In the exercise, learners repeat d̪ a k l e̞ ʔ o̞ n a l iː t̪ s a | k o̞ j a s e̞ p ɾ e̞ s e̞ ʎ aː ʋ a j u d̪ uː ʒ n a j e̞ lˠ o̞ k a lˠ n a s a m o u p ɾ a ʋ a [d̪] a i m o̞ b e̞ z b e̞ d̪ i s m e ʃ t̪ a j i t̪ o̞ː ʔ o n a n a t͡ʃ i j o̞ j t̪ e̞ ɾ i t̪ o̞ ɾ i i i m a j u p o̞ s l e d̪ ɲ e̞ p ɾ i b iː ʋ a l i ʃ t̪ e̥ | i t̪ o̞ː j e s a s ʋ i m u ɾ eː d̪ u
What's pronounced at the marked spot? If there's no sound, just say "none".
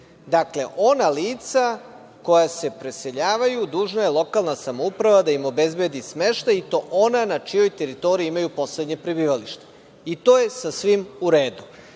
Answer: d̪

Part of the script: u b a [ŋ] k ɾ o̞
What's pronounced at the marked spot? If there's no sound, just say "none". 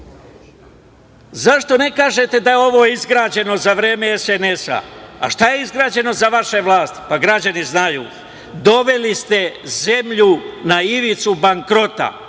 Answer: ŋ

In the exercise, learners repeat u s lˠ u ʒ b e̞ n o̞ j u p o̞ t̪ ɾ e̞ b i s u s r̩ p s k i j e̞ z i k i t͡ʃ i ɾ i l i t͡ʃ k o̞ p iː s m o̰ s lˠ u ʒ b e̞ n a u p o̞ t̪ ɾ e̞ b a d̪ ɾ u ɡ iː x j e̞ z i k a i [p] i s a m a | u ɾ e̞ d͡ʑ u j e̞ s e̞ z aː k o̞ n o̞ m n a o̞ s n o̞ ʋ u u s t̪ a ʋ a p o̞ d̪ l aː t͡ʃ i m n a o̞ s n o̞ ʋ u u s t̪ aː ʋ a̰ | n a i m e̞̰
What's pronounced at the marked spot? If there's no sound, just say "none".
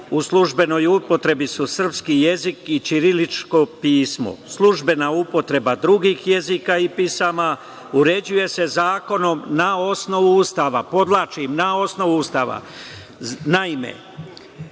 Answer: p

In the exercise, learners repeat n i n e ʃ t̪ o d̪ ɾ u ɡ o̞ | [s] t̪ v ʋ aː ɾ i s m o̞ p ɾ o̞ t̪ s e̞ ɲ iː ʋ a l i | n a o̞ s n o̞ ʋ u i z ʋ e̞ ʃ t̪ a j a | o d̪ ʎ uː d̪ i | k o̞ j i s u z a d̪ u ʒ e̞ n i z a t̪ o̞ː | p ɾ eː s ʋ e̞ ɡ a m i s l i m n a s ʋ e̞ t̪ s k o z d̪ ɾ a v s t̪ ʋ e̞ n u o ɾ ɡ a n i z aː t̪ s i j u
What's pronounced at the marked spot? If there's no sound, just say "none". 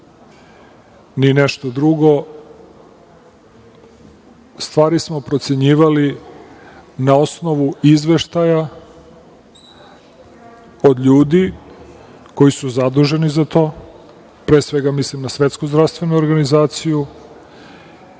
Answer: s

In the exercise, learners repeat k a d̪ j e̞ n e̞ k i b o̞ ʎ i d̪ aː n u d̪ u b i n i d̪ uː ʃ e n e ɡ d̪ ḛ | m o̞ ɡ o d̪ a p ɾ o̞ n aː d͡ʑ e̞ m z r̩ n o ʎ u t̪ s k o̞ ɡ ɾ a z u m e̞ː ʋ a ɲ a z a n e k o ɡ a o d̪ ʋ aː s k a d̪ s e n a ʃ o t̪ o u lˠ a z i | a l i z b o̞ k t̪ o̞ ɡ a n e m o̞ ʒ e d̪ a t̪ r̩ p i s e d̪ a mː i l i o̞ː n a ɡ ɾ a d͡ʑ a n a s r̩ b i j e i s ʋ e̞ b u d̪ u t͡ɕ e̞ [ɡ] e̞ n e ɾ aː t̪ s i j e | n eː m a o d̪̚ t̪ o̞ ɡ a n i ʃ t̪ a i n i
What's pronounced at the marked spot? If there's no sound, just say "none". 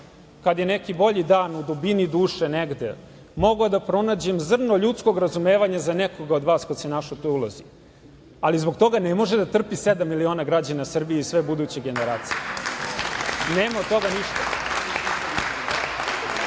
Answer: ɡ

